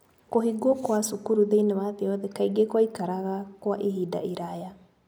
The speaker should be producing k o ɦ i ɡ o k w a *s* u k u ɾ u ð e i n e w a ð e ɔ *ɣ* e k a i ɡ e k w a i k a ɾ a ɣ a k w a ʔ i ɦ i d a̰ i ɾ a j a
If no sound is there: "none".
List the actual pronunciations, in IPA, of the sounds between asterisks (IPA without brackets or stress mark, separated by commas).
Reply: s, ð